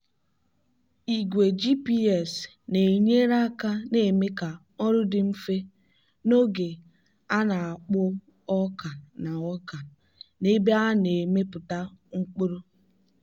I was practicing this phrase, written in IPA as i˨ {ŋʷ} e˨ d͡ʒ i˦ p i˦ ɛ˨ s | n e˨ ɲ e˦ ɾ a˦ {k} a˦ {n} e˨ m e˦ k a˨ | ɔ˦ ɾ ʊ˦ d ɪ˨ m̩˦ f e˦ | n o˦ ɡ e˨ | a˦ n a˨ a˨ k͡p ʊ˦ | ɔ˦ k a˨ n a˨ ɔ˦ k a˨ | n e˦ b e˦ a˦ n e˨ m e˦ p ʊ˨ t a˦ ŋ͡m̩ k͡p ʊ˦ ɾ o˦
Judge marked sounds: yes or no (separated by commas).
no, yes, yes